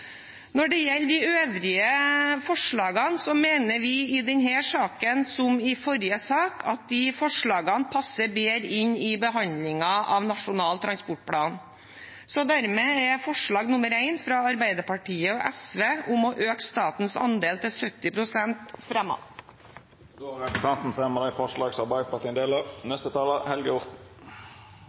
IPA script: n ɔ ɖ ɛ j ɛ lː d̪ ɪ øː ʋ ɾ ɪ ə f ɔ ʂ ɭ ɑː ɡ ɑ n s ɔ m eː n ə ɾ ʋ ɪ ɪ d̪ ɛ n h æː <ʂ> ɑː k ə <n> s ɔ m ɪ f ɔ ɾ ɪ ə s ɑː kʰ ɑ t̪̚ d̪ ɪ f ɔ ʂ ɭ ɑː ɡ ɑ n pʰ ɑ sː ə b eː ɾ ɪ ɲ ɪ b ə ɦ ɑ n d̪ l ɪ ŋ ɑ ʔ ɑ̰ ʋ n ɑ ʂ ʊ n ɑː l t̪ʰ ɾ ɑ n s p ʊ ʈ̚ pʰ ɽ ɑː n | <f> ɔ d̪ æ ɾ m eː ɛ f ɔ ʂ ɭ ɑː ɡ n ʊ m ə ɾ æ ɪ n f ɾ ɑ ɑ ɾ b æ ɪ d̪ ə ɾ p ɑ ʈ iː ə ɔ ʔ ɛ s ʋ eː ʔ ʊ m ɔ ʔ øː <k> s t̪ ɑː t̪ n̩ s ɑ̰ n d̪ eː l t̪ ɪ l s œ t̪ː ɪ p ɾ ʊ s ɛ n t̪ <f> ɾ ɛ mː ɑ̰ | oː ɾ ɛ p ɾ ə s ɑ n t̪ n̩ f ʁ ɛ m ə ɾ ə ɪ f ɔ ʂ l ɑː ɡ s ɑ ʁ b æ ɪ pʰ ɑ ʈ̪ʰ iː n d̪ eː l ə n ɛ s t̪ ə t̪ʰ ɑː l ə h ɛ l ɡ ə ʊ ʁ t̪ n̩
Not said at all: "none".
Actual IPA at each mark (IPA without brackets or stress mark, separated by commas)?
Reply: ʂ, n, s, k, f